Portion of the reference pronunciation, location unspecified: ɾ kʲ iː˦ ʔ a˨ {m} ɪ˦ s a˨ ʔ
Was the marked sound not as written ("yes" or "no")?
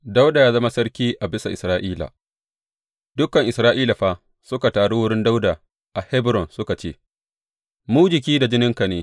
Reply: yes